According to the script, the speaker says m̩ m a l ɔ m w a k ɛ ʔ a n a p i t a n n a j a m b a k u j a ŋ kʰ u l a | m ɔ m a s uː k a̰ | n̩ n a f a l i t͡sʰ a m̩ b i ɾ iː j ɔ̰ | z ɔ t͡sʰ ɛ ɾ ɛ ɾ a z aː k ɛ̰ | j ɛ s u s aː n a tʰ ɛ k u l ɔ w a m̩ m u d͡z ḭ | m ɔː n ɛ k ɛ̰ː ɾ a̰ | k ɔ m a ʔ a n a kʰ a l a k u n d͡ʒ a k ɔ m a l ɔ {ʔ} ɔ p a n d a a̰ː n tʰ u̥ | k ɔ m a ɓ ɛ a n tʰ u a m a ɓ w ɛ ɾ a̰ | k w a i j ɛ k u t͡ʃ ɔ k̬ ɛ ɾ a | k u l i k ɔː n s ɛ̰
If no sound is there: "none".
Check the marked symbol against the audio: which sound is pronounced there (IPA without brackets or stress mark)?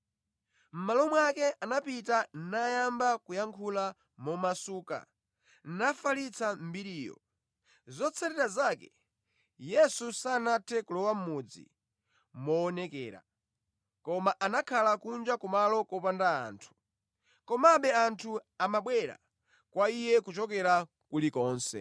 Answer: k